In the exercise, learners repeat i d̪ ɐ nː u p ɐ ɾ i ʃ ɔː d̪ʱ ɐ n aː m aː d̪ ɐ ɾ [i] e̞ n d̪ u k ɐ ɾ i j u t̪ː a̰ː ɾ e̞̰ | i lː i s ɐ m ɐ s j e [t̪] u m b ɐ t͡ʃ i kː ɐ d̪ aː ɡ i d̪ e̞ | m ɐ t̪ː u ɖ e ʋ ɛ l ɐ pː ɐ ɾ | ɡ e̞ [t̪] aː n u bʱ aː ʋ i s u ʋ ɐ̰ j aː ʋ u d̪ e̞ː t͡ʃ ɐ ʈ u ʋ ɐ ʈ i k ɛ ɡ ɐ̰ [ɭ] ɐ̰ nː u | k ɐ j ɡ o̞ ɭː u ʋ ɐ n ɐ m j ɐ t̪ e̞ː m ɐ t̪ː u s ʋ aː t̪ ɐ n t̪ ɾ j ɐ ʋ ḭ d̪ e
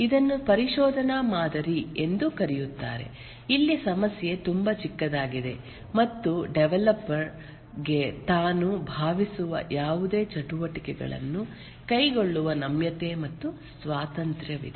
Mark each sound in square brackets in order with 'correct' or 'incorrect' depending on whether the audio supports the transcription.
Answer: correct, correct, correct, correct

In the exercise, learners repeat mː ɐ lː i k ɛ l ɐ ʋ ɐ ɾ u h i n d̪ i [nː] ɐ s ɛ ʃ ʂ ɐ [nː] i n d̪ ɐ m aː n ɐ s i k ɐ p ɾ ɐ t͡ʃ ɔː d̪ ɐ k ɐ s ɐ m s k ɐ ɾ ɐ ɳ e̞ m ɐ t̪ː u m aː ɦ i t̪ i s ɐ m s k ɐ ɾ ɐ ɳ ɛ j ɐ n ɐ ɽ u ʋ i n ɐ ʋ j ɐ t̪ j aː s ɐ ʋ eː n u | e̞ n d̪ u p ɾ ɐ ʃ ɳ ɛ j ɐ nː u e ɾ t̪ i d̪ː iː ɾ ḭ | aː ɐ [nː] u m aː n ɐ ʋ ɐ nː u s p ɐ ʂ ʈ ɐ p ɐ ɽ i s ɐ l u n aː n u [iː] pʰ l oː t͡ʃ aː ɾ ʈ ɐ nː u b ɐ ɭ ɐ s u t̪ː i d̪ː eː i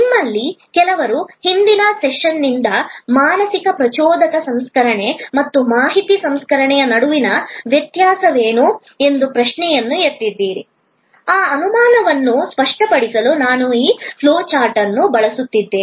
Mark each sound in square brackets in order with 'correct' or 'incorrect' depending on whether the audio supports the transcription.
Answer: incorrect: n, correct, incorrect: n, correct

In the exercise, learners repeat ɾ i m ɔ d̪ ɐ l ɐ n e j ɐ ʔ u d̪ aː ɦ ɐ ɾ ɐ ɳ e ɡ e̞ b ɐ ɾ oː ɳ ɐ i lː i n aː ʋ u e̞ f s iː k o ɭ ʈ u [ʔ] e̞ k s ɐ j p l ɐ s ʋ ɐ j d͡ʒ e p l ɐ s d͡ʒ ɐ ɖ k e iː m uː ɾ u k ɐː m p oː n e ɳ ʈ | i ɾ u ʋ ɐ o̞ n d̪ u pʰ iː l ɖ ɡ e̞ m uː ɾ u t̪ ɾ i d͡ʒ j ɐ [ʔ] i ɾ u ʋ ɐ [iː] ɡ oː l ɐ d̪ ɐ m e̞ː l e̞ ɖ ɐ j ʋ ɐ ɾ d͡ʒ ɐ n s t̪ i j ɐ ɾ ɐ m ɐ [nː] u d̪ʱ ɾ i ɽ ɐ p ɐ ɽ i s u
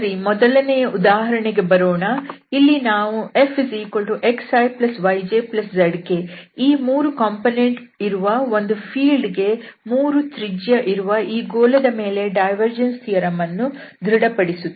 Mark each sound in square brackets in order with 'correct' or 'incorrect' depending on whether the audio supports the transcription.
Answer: correct, correct, correct, correct

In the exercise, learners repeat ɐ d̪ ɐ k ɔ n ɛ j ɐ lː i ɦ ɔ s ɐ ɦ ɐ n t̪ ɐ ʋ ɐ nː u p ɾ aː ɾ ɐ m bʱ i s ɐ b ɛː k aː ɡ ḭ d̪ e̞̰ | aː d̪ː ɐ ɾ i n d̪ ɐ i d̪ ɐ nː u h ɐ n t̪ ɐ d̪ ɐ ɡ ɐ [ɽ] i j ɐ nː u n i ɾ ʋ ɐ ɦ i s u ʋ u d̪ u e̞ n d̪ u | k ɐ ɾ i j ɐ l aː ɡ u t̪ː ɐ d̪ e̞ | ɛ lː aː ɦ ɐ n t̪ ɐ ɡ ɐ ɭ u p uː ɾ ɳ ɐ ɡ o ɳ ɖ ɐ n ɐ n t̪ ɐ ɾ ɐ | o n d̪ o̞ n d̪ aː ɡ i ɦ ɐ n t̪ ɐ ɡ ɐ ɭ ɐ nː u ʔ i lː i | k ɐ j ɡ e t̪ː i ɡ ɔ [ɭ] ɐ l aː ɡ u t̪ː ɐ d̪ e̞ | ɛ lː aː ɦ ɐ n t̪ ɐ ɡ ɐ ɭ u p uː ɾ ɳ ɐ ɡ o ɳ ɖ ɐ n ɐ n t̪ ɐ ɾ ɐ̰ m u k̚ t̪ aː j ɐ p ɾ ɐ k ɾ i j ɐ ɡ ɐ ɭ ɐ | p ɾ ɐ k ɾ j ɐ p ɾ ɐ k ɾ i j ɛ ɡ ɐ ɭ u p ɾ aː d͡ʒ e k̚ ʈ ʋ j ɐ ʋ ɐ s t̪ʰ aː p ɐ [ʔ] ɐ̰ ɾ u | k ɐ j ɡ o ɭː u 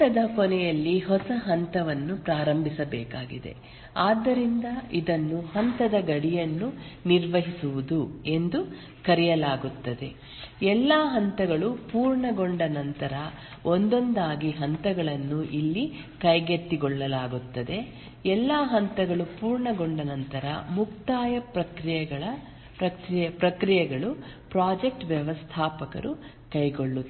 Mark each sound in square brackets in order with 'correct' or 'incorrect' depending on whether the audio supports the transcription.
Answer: correct, incorrect: ɭː, incorrect: k

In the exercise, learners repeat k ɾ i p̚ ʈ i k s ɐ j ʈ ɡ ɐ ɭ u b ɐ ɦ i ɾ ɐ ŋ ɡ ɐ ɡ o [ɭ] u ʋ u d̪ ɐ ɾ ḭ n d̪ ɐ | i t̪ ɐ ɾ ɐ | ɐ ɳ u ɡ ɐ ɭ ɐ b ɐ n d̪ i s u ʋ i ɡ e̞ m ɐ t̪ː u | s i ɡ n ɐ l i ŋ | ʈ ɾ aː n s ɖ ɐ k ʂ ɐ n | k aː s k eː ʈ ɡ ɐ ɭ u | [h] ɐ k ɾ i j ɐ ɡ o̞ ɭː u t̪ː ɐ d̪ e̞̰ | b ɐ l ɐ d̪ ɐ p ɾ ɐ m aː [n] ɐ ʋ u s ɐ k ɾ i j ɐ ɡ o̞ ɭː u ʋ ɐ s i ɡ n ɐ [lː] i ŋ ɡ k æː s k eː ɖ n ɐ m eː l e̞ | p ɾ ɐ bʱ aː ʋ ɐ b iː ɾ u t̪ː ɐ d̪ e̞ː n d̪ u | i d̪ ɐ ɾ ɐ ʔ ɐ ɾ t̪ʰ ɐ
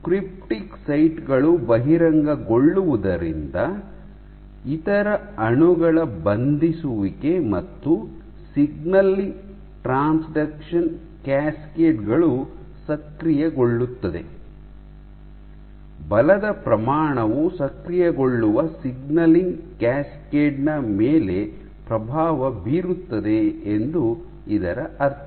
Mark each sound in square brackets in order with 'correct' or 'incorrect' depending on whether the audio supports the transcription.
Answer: incorrect: ɭː, incorrect: s, incorrect: ɳ, incorrect: l

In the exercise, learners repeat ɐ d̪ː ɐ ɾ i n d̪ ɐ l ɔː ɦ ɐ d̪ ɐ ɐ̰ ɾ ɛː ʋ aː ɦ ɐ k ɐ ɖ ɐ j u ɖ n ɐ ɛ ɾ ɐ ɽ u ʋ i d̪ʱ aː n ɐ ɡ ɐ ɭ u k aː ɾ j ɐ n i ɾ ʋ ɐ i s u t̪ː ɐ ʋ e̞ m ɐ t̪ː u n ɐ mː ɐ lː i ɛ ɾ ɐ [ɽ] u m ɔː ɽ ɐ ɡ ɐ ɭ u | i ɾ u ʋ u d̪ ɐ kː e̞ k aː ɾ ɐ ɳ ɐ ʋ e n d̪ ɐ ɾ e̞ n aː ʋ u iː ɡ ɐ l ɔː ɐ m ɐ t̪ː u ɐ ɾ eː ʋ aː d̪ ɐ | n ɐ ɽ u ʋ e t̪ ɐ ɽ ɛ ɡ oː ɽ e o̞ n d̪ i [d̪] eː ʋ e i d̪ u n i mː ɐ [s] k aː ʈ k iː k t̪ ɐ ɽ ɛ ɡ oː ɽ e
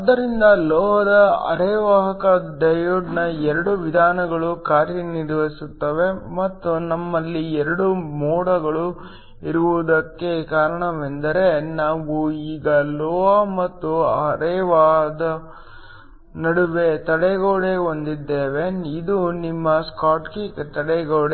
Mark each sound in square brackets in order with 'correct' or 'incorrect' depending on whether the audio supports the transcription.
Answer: correct, incorrect: d̪ː, correct

